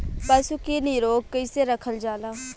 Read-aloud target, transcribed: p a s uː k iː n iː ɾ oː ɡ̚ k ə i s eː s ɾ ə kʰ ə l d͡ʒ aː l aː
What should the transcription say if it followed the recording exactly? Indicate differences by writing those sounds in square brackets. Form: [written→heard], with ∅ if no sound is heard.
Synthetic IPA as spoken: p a s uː k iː n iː ɾ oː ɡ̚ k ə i s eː [s→∅] ɾ ə kʰ ə l d͡ʒ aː l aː